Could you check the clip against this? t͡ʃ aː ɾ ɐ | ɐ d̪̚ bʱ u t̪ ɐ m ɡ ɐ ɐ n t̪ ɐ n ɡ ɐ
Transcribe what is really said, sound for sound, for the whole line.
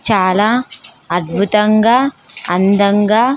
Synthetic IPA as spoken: t͡ʃ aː l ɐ | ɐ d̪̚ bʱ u t̪ ɐ ŋ ɡ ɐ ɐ n d̪ ɐ ŋ ɡ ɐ